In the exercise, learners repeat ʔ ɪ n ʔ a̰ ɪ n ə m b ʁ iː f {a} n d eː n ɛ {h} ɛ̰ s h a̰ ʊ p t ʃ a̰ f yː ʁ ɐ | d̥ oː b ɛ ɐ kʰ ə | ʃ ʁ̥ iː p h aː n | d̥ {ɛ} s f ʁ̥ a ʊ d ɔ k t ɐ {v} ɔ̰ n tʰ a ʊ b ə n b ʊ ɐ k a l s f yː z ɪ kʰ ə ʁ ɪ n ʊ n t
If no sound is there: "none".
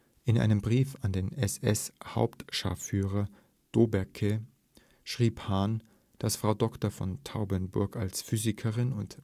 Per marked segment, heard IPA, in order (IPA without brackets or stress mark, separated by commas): a, s, a, f